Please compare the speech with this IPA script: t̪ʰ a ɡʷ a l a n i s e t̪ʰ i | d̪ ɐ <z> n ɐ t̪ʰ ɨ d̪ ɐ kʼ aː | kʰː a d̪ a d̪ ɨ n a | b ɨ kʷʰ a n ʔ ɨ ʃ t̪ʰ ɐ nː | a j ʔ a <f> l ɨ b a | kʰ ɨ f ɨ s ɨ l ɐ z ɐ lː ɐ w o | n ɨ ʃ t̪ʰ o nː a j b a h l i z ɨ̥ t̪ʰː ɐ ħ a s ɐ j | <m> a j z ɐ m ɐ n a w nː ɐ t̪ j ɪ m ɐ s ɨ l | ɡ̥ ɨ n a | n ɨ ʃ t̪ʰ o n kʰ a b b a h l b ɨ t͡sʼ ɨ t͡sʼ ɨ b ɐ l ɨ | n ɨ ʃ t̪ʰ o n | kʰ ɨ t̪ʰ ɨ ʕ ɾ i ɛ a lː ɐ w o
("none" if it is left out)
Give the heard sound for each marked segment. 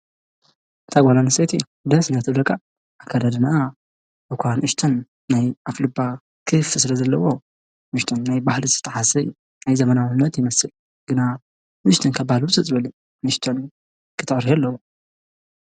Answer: s, f, n

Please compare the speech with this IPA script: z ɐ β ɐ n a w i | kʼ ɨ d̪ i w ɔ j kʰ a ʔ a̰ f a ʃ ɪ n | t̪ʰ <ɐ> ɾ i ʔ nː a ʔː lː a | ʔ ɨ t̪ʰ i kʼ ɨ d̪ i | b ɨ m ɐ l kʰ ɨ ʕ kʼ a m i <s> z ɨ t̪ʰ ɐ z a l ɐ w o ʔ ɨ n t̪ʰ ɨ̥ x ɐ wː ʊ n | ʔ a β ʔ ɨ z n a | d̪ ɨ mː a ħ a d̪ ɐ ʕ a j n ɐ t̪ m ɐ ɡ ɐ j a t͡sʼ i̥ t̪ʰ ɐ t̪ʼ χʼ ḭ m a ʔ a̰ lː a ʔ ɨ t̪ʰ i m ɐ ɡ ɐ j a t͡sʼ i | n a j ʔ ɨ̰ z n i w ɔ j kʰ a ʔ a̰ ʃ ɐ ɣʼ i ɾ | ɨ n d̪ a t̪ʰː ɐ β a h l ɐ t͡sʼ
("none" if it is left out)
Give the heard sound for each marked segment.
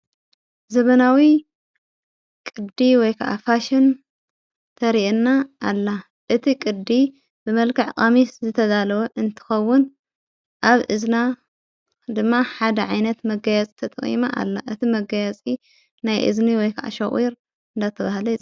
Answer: ɐ, s

